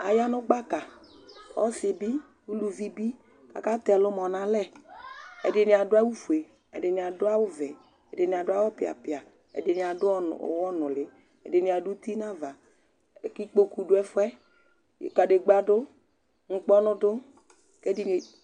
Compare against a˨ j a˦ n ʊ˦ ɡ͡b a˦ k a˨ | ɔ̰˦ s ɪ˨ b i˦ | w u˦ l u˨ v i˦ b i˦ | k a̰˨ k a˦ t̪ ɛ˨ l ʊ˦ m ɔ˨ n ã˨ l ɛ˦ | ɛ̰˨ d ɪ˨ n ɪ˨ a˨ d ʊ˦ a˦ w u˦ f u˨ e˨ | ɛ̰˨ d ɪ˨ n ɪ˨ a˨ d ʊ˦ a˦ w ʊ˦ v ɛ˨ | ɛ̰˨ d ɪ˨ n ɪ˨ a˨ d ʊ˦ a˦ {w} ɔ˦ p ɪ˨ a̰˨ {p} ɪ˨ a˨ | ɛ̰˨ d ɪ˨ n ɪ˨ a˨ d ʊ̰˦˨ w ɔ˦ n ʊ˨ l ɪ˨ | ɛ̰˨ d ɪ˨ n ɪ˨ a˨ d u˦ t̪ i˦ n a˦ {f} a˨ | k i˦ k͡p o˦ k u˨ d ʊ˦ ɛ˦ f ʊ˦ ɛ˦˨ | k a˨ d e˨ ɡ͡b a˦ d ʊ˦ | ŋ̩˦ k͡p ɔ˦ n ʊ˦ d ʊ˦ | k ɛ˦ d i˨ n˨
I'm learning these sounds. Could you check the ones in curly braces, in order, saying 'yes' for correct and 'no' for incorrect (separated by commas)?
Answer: yes, yes, no